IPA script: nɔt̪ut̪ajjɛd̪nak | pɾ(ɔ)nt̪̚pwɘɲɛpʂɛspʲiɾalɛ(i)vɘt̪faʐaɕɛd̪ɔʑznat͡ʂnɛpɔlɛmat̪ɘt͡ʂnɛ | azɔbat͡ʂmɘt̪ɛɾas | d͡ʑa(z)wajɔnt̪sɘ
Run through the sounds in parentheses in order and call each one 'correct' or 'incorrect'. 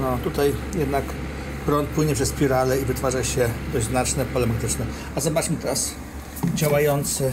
correct, correct, incorrect: none

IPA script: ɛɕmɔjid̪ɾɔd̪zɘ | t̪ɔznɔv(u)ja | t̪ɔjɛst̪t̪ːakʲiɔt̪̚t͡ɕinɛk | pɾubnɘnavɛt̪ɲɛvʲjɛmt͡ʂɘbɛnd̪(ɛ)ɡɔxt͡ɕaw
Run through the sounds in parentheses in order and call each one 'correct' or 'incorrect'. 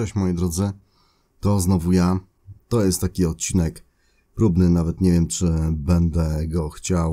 correct, correct

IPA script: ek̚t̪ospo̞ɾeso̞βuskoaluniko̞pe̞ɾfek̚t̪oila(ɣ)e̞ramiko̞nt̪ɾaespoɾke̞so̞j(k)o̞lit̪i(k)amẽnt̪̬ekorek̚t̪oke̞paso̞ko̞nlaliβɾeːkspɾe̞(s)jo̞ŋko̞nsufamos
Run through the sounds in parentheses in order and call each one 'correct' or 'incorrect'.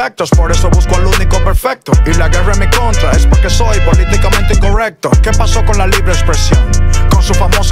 correct, incorrect: p, correct, correct

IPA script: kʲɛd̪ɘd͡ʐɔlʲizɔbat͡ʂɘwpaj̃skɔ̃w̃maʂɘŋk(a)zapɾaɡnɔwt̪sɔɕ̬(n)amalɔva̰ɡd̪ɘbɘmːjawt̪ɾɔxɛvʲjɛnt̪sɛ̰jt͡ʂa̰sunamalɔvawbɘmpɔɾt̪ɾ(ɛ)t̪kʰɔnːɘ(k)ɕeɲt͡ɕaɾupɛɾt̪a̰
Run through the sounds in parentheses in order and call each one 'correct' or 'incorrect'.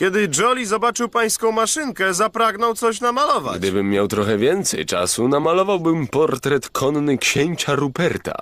incorrect: ɛ, correct, correct, correct

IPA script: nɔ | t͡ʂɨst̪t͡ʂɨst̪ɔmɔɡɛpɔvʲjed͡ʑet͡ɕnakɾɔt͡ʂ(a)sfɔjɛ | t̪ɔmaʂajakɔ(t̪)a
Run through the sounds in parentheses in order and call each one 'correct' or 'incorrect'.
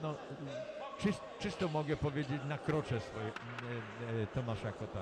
incorrect: ɛ, correct

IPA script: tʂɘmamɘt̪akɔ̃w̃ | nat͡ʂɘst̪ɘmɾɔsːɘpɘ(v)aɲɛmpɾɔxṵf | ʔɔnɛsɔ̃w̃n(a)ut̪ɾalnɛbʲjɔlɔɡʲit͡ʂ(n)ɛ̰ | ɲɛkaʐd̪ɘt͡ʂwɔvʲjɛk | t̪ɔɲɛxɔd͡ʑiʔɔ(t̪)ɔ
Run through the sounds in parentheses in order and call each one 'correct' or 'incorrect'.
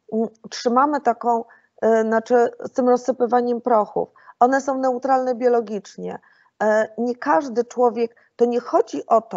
correct, incorrect: ɛ, incorrect: ɲ, correct

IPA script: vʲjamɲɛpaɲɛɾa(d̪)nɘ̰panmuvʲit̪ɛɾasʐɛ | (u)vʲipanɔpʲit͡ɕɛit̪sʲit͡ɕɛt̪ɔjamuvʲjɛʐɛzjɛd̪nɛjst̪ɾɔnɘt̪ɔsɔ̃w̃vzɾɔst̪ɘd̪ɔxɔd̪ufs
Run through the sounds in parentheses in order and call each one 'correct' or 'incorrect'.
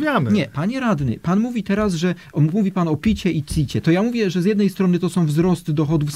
correct, correct

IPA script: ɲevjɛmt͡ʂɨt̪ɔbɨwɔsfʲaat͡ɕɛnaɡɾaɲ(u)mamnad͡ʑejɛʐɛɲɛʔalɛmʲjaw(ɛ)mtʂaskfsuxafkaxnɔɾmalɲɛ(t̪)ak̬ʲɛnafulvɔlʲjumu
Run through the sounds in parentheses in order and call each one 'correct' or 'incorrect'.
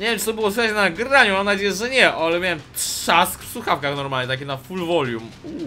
correct, correct, correct

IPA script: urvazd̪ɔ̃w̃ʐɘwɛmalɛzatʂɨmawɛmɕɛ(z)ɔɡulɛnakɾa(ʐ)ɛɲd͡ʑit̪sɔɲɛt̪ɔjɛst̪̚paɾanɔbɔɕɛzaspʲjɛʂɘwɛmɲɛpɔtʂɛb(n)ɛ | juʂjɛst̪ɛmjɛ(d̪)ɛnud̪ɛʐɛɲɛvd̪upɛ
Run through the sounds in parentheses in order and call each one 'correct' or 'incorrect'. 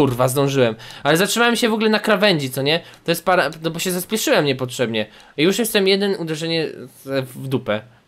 incorrect: v, incorrect: v, incorrect: ɲ, correct

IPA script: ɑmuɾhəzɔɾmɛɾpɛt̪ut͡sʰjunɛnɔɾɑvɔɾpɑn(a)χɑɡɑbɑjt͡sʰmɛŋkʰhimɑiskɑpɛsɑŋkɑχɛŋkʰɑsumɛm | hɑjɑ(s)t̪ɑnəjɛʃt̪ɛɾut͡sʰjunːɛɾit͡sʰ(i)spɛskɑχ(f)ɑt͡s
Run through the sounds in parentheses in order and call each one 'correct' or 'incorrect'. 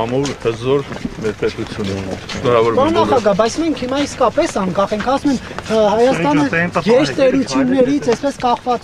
incorrect: ɑ, correct, incorrect: ɛ, incorrect: v

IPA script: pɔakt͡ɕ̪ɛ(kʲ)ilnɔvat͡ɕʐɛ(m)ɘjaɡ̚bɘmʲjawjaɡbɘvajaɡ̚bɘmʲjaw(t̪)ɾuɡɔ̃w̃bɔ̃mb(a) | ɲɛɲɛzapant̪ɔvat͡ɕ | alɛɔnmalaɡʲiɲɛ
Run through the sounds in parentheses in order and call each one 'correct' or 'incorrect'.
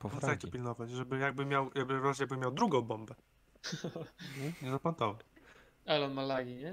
incorrect: pʲ, incorrect: b, incorrect: d̪, incorrect: ɛ

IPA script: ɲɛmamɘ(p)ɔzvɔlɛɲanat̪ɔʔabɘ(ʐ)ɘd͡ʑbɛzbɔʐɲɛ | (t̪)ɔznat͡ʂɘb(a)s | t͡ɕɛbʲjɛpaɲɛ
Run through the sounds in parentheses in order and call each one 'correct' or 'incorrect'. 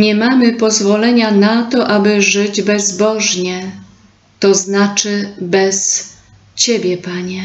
correct, correct, correct, incorrect: ɛ

